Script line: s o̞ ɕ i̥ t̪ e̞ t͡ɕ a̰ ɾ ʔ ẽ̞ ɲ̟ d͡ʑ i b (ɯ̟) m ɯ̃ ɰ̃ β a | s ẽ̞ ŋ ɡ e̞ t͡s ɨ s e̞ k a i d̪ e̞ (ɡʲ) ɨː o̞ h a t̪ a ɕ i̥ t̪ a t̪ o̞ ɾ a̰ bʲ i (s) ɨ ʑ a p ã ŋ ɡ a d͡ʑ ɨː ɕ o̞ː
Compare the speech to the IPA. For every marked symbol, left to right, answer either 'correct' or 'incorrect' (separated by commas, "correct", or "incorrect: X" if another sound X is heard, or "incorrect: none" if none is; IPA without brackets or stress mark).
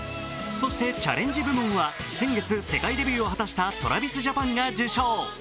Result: correct, incorrect: bʲ, correct